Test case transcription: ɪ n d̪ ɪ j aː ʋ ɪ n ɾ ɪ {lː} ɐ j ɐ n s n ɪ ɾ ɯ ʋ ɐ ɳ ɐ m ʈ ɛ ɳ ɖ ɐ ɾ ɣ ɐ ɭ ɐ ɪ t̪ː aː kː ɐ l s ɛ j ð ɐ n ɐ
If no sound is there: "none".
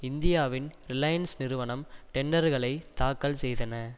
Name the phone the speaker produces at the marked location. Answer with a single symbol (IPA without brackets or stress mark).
l